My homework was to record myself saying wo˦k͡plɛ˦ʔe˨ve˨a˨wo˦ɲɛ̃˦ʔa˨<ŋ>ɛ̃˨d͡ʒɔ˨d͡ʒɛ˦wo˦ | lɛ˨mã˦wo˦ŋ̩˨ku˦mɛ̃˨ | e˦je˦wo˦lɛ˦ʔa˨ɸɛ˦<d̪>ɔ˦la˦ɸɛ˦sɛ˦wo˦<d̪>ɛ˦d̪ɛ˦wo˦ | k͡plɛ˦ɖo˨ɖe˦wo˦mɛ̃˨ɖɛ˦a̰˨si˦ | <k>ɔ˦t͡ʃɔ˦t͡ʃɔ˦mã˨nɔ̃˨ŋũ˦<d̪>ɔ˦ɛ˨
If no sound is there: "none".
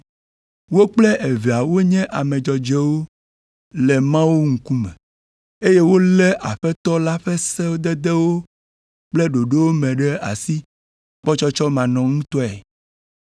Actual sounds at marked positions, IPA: m, t̪, d̪, k͡p, t̪

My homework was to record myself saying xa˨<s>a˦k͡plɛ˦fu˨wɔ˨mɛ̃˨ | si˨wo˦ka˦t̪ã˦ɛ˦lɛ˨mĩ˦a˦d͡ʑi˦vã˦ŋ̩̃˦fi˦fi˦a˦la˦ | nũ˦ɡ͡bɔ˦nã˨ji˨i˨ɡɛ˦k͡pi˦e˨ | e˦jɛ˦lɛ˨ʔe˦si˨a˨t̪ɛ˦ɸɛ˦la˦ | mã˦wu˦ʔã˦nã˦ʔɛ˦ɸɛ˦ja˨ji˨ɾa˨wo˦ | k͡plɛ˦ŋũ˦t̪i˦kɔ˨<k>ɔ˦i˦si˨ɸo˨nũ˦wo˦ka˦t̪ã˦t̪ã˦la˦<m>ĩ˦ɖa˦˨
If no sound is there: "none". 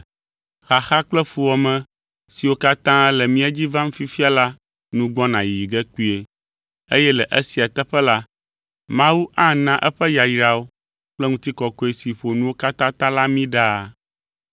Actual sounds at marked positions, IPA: x, k, m

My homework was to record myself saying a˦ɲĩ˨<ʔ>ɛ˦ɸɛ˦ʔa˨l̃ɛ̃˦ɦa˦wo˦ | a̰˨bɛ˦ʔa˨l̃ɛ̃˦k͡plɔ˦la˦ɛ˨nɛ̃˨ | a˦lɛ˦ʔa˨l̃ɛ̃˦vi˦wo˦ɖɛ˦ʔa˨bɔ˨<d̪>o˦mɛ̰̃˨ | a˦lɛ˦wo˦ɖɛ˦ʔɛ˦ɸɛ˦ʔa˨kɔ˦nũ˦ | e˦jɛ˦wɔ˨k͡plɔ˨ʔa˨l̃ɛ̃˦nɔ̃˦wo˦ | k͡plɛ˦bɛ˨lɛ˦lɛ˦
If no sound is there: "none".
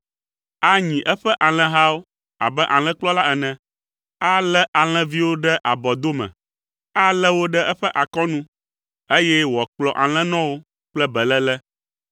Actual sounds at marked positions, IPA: ʔ, d̪

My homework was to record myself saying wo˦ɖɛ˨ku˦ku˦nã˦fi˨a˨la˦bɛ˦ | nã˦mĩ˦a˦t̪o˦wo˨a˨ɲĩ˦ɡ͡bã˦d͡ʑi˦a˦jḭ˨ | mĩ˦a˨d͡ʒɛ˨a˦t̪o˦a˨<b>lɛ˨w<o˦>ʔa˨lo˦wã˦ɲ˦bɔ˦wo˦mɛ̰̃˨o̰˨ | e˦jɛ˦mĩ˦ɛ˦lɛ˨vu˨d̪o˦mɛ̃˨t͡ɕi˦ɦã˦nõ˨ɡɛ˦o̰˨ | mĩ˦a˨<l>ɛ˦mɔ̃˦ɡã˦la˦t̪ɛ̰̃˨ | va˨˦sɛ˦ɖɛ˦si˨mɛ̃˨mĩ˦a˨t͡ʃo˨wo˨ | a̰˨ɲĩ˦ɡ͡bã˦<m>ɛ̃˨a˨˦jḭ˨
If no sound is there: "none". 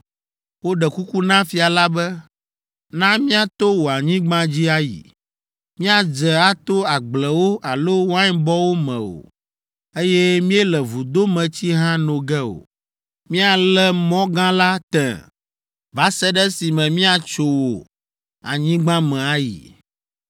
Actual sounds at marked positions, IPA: ɡ͡b, o˦, l, m

